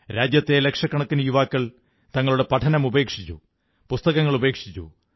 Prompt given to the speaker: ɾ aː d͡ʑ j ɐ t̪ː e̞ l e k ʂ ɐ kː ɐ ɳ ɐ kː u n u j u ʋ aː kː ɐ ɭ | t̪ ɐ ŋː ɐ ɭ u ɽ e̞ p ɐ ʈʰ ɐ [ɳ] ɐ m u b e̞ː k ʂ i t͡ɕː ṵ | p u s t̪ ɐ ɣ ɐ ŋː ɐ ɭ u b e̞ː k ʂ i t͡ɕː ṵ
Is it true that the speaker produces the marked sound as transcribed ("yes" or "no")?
no